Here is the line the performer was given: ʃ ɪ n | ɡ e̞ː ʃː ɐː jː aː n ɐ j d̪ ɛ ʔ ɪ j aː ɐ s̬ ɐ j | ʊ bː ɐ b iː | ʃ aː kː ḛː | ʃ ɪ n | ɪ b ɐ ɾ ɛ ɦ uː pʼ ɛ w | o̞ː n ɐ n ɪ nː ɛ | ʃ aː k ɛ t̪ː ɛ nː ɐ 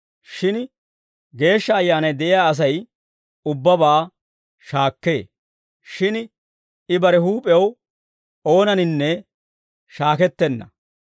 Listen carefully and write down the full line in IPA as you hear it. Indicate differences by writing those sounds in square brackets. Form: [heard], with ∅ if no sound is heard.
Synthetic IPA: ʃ ɪ n | ɡ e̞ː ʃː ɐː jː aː n ɐ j d̪ ɛ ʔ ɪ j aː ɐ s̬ ɐ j | ʊ bː ɐ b [aː] | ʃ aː kː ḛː | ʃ ɪ n | ɪ b ɐ ɾ ɛ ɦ uː pʼ ɛ w | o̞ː n ɐ n ɪ nː ɛ | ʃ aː k ɛ t̪ː ɛ nː ɐ

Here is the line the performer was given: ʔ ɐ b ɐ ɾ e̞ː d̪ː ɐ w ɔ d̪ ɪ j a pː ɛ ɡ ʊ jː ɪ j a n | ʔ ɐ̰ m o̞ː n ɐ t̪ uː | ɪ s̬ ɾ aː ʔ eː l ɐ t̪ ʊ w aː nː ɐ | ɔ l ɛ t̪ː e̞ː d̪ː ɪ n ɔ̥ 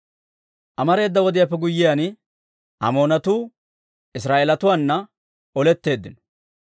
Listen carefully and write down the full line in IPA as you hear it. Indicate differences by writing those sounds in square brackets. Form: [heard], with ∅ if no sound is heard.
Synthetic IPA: ʔ ɐ [m] ɐ ɾ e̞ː d̪ː ɐ w ɔ d̪ ɪ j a pː ɛ ɡ ʊ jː ɪ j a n | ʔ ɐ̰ m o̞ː n ɐ t̪ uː | ɪ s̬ ɾ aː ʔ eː l ɐ t̪ ʊ w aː nː ɐ | ɔ l ɛ t̪ː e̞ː d̪ː ɪ n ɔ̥

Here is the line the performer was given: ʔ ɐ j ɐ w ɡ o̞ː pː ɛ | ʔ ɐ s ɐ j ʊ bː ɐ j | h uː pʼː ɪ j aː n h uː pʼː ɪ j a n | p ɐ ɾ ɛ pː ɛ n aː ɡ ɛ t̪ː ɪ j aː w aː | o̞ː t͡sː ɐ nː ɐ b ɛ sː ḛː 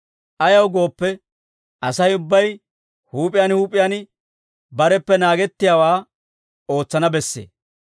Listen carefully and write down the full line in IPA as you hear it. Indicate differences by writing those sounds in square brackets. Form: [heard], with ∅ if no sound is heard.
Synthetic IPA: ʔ ɐ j ɐ w ɡ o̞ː pː ɛ | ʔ ɐ s ɐ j ʊ bː ɐ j | h uː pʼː ɪ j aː n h uː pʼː ɪ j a n | [b] ɐ ɾ ɛ pː ɛ n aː ɡ ɛ t̪ː ɪ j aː w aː | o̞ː t͡sː ɐ [n] ɐ b ɛ sː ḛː

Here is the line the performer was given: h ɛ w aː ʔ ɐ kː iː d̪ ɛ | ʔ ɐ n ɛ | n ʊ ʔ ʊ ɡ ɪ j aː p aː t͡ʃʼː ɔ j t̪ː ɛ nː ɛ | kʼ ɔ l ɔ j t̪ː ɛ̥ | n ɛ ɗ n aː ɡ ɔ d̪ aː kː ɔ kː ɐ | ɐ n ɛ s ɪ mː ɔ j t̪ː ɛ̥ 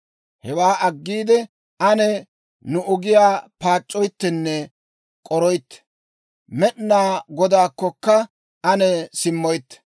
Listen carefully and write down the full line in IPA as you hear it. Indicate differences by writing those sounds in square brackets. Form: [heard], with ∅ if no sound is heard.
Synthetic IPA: h ɛ w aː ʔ ɐ [ɡː] iː d̪ ɛ | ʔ ɐ n ɛ | n ʊ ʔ ʊ ɡ ɪ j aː p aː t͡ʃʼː ɔ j t̪ː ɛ nː ɛ | kʼ ɔ [ɾ] ɔ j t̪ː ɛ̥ | [m] ɛ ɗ n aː ɡ ɔ d̪ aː kː ɔ kː ɐ | ɐ n ɛ s ɪ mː ɔ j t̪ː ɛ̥

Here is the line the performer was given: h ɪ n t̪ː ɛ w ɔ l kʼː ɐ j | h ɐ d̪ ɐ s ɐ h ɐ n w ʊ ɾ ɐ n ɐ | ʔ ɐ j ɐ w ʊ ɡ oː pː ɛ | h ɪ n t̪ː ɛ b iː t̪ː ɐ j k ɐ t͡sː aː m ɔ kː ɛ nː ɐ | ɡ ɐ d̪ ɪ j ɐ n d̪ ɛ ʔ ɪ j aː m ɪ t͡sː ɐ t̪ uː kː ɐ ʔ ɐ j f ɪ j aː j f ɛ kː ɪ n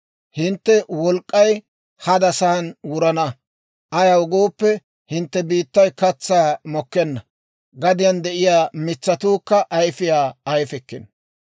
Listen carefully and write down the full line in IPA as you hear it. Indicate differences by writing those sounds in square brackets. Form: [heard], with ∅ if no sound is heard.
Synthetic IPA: h ɪ n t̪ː ɛ w ɔ l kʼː ɐ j | h ɐ d̪ ɐ s ɐ h ɐ n w ʊ ɾ ɐ n ɐ | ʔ ɐ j ɐ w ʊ ɡ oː pː ɛ | h ɪ n t̪ː ɛ b iː t̪ː ɐ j k ɐ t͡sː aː m ɔ kː ɛ nː ɐ | ɡ ɐ d̪ ɪ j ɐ n d̪ ɛ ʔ ɪ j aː m ɪ t͡sː ɐ t̪ uː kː ɐ ʔ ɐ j f ɪ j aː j f ɛ kː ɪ n

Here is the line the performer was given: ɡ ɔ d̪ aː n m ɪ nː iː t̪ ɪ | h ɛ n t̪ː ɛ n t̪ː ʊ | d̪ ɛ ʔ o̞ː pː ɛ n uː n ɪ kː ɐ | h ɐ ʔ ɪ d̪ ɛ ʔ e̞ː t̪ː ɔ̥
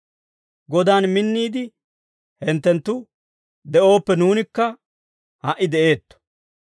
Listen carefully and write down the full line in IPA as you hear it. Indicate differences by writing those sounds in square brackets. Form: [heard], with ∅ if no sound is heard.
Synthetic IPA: ɡ ɔ d̪ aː n m ɪ nː iː [d̪] ɪ | h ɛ n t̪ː ɛ n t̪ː ʊ | d̪ ɛ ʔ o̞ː pː ɛ n uː n ɪ kː ɐ | h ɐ ʔ ɪ d̪ ɛ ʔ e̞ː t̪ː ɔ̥

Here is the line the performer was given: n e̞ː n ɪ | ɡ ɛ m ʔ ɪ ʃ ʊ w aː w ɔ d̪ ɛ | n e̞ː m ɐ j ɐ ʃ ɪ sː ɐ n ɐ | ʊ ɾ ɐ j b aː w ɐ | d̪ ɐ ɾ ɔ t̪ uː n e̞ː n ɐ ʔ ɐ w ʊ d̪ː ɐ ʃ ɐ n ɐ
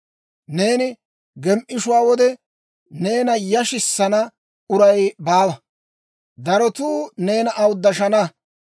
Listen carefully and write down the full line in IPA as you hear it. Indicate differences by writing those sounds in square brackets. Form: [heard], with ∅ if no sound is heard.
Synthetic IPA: n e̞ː n ɪ | ɡ ɛ m ʔ ɪ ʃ ʊ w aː w ɔ d̪ ɛ | n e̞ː [n] ɐ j ɐ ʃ ɪ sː ɐ n ɐ | ʊ ɾ ɐ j b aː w ɐ | d̪ ɐ ɾ ɔ t̪ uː n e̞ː n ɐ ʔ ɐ w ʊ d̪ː ɐ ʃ ɐ n ɐ

